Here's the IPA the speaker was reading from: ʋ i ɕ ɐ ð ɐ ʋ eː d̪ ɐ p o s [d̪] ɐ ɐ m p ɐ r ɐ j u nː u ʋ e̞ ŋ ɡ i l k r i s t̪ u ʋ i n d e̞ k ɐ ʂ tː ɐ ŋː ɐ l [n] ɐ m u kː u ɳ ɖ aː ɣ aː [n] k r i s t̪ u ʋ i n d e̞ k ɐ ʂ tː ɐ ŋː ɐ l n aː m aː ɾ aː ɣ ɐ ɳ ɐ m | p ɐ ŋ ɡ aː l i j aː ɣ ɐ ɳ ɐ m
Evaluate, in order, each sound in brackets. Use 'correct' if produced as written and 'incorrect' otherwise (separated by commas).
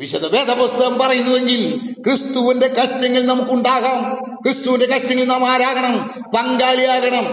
incorrect, correct, incorrect